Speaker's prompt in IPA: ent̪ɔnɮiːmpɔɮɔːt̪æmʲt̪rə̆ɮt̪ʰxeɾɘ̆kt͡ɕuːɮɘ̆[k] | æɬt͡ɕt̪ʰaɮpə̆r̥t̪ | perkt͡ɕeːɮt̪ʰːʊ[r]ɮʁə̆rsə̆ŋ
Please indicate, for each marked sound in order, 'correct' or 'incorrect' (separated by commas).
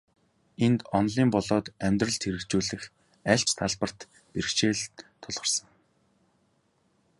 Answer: incorrect, incorrect